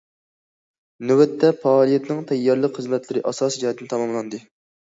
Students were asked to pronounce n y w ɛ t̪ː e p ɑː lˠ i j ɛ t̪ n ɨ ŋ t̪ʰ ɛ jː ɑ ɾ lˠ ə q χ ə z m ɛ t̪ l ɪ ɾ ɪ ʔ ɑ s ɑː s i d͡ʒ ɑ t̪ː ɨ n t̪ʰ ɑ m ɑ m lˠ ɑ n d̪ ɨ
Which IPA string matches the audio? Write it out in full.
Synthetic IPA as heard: n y w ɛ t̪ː ɛ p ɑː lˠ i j ɛ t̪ n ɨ ŋ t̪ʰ ɛ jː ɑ ɾ lˠ ə q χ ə z m ɛ t̪ l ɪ ɾ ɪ ʔ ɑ s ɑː s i d͡ʒ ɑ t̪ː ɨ n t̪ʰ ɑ m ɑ m lˠ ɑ n d̪ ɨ

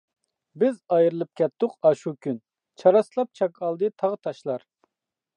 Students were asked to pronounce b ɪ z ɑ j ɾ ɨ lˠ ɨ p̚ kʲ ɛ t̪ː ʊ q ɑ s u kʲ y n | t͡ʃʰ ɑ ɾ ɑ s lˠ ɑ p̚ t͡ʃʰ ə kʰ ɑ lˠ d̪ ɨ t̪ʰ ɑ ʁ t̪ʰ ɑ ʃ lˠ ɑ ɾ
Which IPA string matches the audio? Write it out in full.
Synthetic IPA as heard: b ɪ z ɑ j ɾ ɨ lˠ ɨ p̚ kʲ ɛ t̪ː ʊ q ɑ ʃ u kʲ y n | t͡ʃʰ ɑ ɾ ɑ s lˠ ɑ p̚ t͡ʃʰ ɑ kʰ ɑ lˠ d̪ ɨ t̪ʰ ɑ ʁ t̪ʰ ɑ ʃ lˠ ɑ ɾ

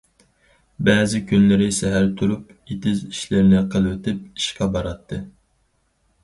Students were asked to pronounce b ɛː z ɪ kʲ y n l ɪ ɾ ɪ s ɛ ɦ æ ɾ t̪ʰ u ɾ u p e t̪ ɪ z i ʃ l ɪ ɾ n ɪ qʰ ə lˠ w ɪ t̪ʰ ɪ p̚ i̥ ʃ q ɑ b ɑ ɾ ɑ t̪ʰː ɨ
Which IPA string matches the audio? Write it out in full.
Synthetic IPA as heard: b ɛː z ɪ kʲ y n l ɪ ɾ ɪ s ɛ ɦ æ ɾ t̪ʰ u ɾ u p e t̪ ɪ z i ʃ l ɪ ɾ n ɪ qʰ ə lˠ w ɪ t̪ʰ ɪ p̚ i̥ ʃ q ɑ b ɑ ɾ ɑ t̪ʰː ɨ

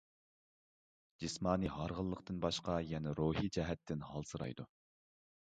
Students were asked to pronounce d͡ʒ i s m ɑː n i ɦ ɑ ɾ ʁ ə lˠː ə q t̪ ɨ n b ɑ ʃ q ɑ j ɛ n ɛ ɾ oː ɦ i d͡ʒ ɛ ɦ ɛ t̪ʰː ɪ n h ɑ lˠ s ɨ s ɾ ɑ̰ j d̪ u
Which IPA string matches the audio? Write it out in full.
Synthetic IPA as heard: d͡ʒ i s m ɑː n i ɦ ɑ ɾ ʁ ə lˠː ə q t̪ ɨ n b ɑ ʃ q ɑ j ɛ n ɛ ɾ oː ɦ i d͡ʒ ɛ ɦ ɛ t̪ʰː ɪ n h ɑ lˠ s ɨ ɾ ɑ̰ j d̪ u

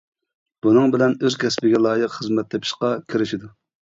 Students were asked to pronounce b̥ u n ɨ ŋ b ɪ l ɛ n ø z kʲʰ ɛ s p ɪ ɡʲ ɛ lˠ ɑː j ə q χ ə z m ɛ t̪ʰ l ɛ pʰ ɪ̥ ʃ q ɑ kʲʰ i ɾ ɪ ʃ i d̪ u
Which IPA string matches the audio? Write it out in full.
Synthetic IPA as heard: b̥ u n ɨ ŋ b ɪ l ɛ n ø z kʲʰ ɛ s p ɪ ɡʲ ɛ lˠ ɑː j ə q χ ə z m ɛ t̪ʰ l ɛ pʰ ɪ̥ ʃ q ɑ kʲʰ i ɾ ɪ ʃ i d̪ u

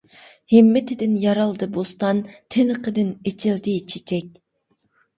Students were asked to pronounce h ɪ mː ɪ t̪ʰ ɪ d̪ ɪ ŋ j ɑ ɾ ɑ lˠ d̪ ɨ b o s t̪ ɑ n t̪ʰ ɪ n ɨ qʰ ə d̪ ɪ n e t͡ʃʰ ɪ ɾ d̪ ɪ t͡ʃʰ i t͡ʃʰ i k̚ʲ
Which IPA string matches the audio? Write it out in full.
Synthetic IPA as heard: h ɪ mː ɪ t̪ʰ ɪ d̪ ɪ n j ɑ ɾ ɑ lˠ d̪ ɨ b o s t̪ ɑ n t̪ʰ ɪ n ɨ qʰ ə d̪ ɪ n e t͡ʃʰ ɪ l d̪ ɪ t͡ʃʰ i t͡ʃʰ ɛ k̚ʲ

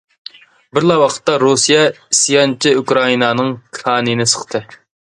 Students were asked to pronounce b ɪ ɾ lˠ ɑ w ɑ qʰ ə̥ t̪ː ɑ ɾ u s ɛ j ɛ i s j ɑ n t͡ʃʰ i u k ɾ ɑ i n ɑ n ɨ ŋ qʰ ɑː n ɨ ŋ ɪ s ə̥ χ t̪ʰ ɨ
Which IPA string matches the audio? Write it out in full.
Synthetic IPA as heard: b ɪ ɾ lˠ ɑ w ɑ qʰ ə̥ t̪ː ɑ ɾ u s i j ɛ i s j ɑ n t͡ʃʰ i u k ɾ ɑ i n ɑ n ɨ ŋ kʰ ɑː n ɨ n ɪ s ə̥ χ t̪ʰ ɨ

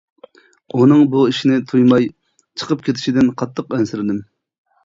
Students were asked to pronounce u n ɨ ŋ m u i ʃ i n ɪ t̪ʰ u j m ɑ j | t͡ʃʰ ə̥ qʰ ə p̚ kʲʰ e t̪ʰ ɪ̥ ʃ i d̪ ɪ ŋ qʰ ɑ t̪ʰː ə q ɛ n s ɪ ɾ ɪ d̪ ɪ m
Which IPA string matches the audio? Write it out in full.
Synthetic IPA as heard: u n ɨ ŋ b u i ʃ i n ɪ t̪ʰ u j m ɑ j | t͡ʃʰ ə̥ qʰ ə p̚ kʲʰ e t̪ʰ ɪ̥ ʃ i d̪ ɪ n qʰ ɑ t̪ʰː ə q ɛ n s ɪ ɾ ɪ d̪ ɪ m

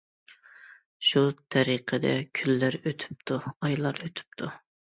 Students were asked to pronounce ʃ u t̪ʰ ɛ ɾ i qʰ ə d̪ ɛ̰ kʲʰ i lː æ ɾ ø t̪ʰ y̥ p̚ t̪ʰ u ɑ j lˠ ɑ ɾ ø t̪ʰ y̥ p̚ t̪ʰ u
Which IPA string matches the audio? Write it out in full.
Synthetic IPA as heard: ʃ u t̪ʰ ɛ ɾ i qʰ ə d̪ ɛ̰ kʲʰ y lː æ ɾ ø t̪ʰ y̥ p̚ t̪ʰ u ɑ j lˠ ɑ ɾ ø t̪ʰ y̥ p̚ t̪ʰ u

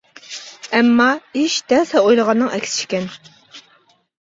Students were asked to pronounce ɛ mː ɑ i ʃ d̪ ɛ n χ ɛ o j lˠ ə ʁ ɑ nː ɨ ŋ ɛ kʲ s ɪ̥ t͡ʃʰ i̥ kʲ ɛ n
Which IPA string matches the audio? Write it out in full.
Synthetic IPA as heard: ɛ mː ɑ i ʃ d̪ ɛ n s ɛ o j lˠ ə ʁ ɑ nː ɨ ŋ ɛ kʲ s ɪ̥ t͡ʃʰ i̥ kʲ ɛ n

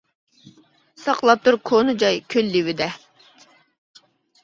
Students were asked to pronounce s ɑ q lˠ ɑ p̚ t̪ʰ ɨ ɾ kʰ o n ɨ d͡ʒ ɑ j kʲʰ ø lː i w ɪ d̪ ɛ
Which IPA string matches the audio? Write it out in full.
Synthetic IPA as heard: s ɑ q lˠ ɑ p̚ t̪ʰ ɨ ɾ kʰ o n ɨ d͡ʒ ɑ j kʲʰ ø lː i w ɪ d̪ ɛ

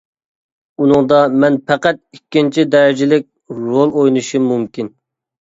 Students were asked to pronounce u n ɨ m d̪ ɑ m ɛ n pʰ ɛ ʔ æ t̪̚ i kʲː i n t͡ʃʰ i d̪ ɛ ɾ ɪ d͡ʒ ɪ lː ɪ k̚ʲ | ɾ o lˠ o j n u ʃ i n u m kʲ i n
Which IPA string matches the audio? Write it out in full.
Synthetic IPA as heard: u n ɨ ŋ d̪ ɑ m ɛ n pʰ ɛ q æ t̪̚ i kʲː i n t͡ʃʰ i d̪ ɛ ɾ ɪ d͡ʒ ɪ l ɪ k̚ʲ | ɾ o lˠ o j n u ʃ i m u m kʲ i n

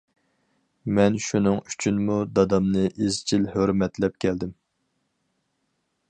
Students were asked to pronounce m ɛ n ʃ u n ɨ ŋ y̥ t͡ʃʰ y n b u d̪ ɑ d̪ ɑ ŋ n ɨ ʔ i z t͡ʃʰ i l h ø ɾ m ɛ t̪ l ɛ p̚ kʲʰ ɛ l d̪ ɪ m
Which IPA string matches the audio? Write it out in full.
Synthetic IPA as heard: m ɛ n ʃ u n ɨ ŋ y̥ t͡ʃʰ y n m u d̪ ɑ d̪ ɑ m n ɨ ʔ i z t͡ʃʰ i l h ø ɾ m ɛ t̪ l ɛ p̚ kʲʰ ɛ l d̪ ɪ m

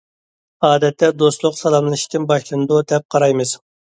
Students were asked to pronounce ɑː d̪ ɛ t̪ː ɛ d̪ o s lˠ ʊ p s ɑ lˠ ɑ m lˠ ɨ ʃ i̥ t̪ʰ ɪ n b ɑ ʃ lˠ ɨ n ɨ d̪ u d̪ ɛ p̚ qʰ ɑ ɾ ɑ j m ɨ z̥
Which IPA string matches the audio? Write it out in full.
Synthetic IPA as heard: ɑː d̪ ɛ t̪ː ɛ d̪ o s lˠ ʊ q s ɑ lˠ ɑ m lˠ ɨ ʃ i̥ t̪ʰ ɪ n b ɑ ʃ lˠ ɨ n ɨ d̪ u d̪ ɛ p̚ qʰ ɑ ɾ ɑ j m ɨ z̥

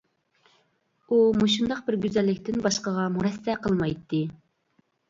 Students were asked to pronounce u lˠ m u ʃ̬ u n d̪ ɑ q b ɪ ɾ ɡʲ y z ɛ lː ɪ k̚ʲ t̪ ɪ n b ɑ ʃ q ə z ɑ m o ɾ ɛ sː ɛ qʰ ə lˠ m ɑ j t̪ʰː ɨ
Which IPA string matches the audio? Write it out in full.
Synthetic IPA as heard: u m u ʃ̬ u n d̪ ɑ q b ɪ ɾ ɡʲ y z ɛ lː ɪ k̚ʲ t̪ ɪ n b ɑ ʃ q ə ʁ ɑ m u ɾ ɛ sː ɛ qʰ ə lˠ m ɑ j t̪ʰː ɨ

